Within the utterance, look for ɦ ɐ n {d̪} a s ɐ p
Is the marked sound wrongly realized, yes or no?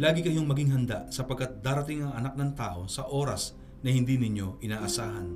no